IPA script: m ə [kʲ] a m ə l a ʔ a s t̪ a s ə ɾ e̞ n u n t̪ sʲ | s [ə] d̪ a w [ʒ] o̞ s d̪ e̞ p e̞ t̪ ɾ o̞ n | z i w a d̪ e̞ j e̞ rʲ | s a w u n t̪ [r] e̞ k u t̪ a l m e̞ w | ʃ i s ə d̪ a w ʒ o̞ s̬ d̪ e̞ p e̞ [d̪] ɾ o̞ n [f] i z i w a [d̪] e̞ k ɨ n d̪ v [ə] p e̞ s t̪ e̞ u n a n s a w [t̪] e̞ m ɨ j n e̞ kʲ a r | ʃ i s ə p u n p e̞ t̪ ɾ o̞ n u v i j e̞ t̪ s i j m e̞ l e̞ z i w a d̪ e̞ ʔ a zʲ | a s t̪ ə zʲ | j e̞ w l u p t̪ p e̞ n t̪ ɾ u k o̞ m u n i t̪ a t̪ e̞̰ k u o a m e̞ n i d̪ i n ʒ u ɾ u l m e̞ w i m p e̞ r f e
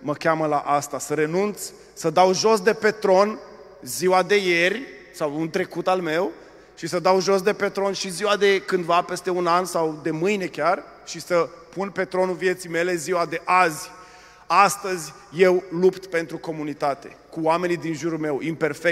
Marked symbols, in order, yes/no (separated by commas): yes, yes, yes, no, no, no, yes, no, no